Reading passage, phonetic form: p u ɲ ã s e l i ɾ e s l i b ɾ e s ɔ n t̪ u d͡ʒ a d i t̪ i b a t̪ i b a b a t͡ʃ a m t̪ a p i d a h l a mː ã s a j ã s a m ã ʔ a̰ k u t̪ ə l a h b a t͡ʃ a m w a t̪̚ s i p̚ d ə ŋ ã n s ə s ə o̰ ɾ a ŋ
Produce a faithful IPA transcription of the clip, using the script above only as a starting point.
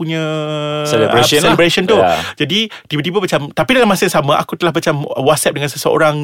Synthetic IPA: p u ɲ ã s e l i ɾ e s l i b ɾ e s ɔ n t̪ u d͡ʒ a d i t̪ i b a t̪ i b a b a t͡ʃ a m t̪ a p i d a l a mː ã s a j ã s a m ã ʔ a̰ k u t̪ ə l a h b a t͡ʃ a m w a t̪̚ s ɛ p̚ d ə ŋ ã n s ə s ə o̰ ɾ a ŋ